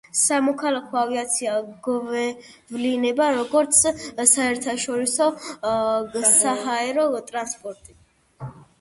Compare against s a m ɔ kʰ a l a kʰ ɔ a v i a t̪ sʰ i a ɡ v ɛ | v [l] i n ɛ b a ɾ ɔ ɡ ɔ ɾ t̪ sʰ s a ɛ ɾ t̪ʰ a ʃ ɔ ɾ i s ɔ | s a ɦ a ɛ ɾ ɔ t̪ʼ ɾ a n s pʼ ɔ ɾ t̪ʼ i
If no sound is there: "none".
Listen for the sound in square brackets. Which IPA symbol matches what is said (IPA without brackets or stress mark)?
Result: l